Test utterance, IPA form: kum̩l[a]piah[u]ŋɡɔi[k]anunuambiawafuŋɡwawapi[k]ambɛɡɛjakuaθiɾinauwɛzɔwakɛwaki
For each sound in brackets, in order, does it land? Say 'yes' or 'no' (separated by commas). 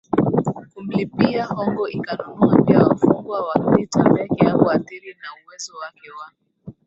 no, no, yes, no